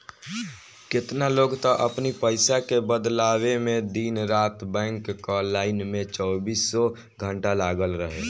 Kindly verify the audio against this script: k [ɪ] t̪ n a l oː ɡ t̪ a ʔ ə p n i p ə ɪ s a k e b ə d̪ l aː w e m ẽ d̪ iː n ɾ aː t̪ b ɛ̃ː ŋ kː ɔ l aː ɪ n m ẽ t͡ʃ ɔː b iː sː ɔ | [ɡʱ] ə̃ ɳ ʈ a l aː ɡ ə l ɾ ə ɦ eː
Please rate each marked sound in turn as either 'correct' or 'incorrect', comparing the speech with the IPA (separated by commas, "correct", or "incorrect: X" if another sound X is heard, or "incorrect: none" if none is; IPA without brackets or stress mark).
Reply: correct, correct